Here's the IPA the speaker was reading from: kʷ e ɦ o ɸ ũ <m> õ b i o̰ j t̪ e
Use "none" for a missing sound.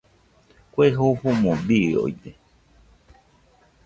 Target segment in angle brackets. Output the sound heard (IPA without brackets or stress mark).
m